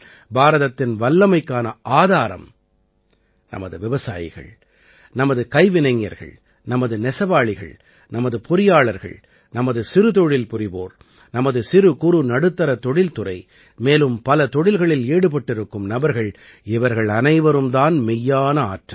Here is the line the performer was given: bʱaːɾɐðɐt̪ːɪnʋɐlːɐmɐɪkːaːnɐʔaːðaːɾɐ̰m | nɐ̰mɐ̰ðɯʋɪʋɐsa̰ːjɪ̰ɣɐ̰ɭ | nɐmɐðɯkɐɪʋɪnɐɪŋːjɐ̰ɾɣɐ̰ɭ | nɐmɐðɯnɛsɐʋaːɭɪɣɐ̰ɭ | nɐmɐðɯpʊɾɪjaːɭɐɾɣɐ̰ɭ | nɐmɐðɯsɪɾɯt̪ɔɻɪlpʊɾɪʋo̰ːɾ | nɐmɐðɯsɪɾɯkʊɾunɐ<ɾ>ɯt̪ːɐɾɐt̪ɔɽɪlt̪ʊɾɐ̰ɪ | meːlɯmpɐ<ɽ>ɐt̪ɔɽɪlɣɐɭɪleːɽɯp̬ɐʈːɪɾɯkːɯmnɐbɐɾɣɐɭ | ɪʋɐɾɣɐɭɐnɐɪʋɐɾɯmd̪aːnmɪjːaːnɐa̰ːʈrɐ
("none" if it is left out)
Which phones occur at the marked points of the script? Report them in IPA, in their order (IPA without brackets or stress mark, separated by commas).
ɽ, l